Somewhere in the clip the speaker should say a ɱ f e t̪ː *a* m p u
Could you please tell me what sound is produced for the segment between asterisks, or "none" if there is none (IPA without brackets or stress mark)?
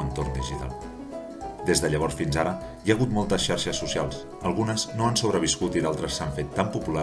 a